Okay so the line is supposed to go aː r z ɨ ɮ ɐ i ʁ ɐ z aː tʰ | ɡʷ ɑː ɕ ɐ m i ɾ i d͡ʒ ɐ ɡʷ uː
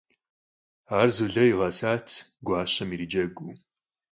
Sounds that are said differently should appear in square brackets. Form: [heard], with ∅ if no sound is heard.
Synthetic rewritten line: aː r z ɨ ɮ ɐ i ʁ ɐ [s] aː tʰ | ɡʷ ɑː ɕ ɐ m i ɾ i d͡ʒ ɐ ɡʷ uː